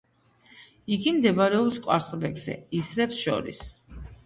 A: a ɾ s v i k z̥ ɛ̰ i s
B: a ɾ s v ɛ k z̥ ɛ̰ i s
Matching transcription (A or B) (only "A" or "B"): B